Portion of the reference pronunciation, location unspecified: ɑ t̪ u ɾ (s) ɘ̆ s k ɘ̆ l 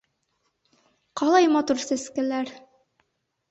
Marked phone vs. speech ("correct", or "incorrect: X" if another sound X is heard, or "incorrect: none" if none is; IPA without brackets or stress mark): correct